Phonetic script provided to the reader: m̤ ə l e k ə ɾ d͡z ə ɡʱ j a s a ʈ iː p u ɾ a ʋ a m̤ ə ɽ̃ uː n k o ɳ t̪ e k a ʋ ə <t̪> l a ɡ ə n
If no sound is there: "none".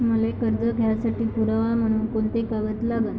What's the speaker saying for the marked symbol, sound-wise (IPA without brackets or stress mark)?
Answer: t̪